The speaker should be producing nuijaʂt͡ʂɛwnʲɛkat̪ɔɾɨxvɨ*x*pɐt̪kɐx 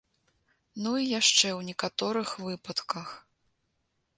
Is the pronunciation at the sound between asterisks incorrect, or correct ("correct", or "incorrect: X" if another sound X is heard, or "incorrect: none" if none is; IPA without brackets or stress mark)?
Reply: incorrect: none